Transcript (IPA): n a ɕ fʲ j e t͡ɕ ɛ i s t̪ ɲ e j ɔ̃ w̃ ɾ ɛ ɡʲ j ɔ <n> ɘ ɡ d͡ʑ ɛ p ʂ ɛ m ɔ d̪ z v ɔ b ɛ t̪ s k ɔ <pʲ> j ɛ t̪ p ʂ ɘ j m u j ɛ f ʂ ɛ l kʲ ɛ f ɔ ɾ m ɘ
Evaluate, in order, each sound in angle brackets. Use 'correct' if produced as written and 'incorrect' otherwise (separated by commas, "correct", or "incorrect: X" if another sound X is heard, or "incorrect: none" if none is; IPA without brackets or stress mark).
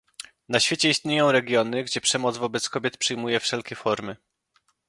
correct, incorrect: bʲ